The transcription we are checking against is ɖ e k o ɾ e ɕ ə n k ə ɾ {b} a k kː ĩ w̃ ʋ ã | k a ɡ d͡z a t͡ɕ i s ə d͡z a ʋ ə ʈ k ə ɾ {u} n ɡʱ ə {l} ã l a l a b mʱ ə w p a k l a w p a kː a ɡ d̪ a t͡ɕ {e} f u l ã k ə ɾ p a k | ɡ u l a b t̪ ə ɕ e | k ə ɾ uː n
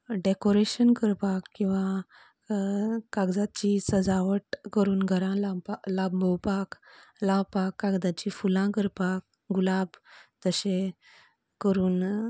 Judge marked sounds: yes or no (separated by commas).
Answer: no, no, no, no